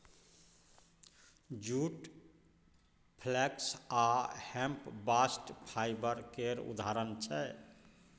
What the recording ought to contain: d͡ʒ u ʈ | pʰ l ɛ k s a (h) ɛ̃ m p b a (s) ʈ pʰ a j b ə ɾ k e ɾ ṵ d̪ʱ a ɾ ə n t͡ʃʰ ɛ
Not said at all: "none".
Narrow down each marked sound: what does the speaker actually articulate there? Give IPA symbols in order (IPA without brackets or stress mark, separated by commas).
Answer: h, s